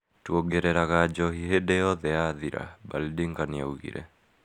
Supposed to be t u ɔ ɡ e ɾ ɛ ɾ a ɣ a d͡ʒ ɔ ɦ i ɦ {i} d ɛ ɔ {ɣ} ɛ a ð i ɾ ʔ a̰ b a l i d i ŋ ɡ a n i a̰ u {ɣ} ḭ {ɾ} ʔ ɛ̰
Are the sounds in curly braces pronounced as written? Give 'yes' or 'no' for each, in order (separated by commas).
no, no, yes, yes